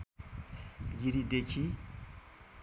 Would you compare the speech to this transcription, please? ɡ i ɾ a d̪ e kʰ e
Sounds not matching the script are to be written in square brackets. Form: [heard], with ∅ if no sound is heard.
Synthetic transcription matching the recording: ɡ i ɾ [i] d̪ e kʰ [i]